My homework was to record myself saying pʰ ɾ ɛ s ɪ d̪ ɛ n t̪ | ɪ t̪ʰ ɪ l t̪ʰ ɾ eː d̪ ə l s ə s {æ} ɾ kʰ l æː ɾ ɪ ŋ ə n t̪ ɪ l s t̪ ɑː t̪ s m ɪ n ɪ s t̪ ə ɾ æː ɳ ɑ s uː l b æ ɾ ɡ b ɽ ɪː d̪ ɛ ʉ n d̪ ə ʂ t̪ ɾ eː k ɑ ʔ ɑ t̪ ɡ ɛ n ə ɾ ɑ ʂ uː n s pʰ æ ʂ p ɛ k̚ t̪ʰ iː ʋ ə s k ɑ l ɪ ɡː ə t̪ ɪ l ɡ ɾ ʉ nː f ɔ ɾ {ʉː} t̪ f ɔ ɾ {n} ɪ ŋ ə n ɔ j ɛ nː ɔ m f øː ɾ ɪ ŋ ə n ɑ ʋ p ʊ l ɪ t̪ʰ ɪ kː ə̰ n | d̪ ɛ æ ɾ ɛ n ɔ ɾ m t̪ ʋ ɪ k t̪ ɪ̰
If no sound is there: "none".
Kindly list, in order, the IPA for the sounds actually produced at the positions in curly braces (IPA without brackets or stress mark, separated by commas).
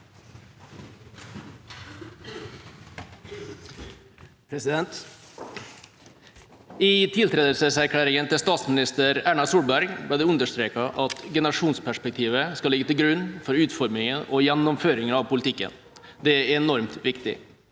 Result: æ, ʉː, m